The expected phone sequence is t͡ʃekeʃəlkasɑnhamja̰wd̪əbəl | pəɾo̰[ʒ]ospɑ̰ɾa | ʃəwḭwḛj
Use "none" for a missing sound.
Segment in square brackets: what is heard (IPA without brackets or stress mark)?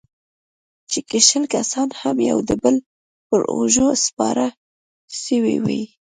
ʒ